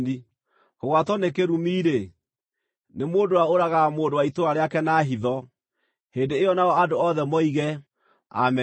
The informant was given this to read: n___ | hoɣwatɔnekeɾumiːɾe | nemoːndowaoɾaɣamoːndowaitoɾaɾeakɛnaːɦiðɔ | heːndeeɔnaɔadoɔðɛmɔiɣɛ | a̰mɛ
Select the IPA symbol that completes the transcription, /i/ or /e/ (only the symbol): i